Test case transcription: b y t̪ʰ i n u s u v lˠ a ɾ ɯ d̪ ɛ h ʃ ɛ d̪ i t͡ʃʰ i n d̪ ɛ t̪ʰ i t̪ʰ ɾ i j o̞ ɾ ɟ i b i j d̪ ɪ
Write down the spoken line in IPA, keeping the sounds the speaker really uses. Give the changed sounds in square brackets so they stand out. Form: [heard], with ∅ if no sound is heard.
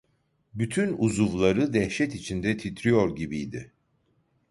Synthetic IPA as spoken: b y t̪ʰ [y] n u [z] u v lˠ a ɾ ɯ d̪ ɛ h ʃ ɛ [t̪] i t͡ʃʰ i n d̪ ɛ t̪ʰ i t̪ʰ ɾ i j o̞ ɾ ɟ i b i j d̪ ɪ